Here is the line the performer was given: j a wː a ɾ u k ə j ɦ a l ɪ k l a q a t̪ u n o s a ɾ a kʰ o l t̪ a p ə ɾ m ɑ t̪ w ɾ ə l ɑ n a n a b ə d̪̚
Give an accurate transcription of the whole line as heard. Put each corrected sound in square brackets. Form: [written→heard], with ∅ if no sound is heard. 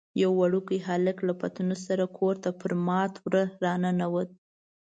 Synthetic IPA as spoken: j a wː a [ɾ→ɽ] u k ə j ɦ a l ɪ k l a [q→p] a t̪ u n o s a ɾ a kʰ o [l→ɾ] t̪ a p ə ɾ m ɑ t̪ w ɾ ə [l→ɾ] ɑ n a n a [b→w] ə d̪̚

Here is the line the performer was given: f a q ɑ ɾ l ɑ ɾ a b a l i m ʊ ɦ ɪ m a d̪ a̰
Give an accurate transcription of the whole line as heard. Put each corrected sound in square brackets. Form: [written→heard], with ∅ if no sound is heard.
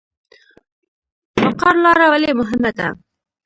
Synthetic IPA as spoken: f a q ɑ ɾ l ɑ ɾ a [b→w] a l [i→e] m ʊ ɦ ɪ m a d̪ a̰

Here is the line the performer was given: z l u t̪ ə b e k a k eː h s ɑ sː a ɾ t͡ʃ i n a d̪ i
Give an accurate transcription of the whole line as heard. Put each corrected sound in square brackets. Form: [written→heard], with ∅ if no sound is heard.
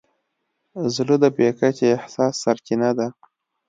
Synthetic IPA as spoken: z l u [t̪→d̪] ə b e k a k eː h s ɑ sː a ɾ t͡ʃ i n a d̪ [i→a]

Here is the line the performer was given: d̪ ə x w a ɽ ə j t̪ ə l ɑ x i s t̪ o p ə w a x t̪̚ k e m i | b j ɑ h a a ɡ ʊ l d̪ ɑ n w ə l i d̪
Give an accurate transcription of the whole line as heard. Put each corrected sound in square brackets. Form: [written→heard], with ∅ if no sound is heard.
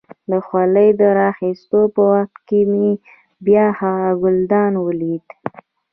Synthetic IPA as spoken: d̪ ə x w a [ɽ→l] ə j [t̪→d̪] ə [l→ɾ] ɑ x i s t̪ o p ə w a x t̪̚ k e m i | b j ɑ h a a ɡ ʊ l d̪ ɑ n w ə l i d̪

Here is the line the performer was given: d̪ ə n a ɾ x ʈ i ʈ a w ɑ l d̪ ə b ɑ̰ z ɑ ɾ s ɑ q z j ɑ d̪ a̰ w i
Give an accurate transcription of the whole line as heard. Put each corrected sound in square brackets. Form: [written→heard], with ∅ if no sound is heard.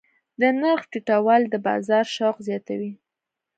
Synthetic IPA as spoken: d̪ ə n a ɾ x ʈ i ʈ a w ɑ l d̪ ə b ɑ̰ z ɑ ɾ [s→ʃ] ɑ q z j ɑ [d̪→t̪] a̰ w i

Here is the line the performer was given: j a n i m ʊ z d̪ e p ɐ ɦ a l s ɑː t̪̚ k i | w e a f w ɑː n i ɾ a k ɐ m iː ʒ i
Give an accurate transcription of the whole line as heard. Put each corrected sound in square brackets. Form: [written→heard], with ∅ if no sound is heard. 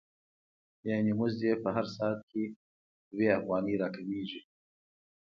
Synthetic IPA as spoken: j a n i m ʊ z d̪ e p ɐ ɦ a [l→ɾ] s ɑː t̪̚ k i | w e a f [w→ɣ] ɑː n i ɾ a k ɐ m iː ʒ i

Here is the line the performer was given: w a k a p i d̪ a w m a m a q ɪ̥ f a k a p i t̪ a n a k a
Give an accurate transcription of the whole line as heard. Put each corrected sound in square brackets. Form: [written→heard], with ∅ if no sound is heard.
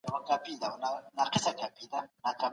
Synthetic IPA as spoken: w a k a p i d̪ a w [m→n] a [m→n] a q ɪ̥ [f→s] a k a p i [t̪→d̪] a n a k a

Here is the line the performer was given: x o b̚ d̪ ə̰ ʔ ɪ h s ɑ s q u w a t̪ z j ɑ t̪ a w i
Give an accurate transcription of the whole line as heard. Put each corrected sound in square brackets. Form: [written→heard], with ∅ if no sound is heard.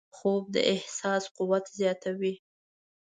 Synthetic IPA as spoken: x o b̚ d̪ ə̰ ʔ ɪ h s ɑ s q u w a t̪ z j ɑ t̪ a w i

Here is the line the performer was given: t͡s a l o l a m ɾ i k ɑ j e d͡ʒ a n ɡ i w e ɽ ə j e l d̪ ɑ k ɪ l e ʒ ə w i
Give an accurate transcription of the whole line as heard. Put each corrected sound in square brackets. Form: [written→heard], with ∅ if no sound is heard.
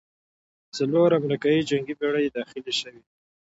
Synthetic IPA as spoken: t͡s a l o [l→ɾ] a m ɾ i k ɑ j [e→i] d͡ʒ a [n→ŋ] ɡ i [w→b] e ɽ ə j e [l→∅] d̪ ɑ [k→x] ɪ l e [ʒ→ʃ] ə w i

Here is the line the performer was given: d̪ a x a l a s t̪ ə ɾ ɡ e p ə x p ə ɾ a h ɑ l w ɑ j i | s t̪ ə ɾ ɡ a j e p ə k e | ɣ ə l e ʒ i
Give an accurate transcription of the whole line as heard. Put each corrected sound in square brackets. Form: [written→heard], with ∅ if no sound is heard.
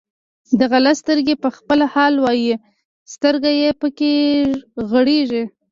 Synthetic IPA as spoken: d̪ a [x→ɣ] a l a s t̪ ə ɾ ɡ e p ə x p ə [ɾ→l] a h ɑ l w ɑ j i | s t̪ ə ɾ ɡ a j e p ə k e | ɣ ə [l→ɽ] e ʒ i

